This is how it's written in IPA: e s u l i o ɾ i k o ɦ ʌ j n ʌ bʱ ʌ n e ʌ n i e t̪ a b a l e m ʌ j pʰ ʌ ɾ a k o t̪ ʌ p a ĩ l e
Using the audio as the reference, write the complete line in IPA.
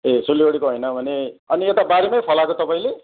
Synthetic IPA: e s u l i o ɽ i k o ɦ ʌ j n ʌ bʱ ʌ n e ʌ n i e t̪ a b a ɾ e m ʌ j pʰ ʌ l a k o t̪ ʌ p a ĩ l e